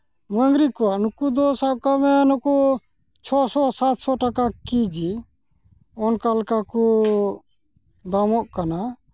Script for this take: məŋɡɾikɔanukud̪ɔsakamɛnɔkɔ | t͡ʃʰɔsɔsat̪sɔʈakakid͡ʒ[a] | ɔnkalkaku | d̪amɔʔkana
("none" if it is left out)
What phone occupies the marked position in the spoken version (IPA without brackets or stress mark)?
i